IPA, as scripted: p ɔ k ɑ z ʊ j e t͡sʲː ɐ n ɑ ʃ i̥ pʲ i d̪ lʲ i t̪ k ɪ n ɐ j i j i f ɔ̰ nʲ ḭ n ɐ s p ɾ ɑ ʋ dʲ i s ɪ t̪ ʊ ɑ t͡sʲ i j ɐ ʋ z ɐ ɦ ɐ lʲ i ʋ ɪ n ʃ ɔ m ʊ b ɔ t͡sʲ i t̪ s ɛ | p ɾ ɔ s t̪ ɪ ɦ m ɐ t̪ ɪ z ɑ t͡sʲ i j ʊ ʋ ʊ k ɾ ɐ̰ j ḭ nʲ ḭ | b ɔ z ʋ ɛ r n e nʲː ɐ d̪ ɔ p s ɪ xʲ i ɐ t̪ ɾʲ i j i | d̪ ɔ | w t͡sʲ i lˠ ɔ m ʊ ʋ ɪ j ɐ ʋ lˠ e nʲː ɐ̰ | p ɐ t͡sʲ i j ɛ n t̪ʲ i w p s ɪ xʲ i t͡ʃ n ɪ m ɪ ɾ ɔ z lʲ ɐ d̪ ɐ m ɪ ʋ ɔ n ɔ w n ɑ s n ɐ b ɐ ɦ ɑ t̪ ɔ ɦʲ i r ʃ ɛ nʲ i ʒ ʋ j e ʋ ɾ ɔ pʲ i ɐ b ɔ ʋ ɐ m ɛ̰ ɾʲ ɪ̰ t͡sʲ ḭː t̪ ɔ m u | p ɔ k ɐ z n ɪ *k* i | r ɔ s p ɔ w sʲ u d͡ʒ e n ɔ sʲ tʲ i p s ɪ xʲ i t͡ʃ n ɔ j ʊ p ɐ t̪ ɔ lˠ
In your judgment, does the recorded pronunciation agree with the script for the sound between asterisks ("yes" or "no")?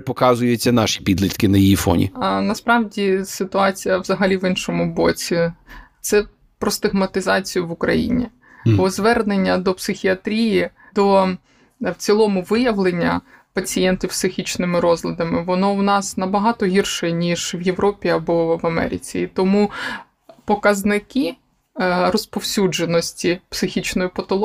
yes